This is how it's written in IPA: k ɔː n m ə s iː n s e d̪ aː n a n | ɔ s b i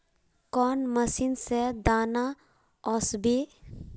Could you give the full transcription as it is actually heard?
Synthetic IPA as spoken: k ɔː n m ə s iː n s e d̪ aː n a | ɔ s b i